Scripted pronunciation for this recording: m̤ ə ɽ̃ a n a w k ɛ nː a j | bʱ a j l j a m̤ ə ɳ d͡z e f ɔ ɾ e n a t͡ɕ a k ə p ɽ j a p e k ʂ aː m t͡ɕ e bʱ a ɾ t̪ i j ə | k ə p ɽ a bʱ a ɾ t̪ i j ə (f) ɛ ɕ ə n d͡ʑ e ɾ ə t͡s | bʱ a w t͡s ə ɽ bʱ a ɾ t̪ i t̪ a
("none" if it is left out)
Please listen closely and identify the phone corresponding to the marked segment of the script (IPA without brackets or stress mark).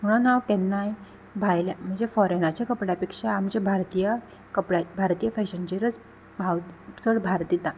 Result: f